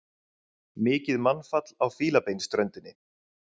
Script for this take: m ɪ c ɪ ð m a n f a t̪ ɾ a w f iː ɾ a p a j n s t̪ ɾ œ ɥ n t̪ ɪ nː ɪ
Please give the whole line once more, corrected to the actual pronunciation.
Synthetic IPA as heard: m ɪː c ɪ ð m a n f a t̪ l a w f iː l a p e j n s t̪ ɾ œ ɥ n t̪ ɪ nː ɪ